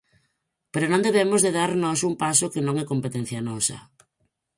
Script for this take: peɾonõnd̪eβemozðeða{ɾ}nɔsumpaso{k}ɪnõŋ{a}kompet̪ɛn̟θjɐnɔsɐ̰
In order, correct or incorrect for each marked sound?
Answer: correct, correct, incorrect

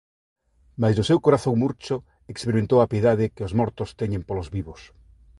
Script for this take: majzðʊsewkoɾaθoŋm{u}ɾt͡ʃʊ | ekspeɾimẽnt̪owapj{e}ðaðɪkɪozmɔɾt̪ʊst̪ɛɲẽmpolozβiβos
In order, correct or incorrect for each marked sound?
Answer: correct, correct

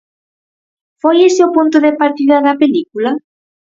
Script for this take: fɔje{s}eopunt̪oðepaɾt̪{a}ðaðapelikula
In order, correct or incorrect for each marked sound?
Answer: correct, incorrect

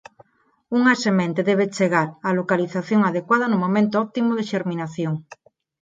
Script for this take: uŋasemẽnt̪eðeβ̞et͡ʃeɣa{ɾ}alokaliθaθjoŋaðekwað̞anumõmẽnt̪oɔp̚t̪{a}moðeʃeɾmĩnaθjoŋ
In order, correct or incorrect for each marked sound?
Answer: correct, incorrect

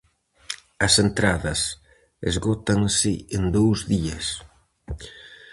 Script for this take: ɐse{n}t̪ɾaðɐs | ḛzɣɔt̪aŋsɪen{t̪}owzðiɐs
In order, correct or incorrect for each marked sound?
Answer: correct, incorrect

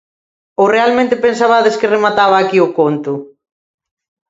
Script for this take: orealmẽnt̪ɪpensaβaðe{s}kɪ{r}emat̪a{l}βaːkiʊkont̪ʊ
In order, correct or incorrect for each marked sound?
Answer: correct, correct, incorrect

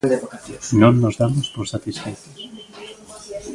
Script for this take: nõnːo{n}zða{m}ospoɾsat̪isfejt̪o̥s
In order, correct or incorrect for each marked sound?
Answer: incorrect, correct

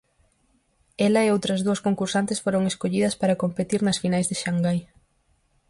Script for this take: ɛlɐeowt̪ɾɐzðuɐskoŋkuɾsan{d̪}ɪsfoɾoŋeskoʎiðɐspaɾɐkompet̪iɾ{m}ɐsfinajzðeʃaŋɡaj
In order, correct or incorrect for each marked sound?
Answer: incorrect, incorrect

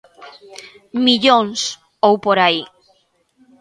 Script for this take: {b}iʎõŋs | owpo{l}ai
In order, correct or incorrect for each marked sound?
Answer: incorrect, incorrect

